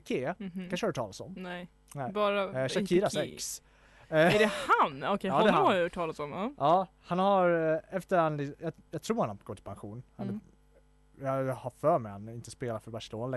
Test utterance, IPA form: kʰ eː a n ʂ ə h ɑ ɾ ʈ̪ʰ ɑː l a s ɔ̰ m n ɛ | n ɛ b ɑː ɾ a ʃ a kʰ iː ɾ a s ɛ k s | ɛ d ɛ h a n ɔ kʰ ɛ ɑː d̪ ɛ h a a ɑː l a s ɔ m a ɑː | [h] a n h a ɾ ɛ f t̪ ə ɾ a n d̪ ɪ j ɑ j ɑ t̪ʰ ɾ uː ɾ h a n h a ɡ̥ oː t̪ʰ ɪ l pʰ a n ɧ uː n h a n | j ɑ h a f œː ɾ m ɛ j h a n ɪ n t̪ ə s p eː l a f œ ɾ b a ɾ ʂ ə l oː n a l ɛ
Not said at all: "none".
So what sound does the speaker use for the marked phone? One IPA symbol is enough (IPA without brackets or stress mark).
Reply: h